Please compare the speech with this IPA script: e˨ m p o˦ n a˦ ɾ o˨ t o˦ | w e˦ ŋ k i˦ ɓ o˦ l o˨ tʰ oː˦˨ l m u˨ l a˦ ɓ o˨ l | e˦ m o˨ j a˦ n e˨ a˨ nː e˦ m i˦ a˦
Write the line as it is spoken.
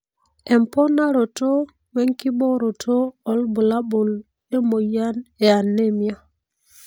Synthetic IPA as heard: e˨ m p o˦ n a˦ ɾ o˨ t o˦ | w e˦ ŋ k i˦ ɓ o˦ ɾ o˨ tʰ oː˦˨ l b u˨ l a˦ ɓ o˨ l | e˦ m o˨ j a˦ n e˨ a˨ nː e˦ m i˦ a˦